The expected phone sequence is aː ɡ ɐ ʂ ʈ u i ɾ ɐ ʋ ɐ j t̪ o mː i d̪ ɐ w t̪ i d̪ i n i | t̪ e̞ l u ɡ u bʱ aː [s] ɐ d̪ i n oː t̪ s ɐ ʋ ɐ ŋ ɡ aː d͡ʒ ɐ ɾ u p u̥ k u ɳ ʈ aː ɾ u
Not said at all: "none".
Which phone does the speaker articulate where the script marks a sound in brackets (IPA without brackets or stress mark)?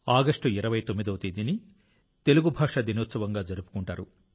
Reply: ʂ